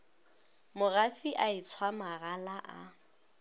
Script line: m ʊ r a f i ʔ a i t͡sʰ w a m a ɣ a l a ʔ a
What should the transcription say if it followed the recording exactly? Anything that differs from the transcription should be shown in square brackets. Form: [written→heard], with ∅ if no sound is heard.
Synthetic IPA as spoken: m ʊ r a f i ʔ a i t͡sʰ w a m a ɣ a l a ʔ a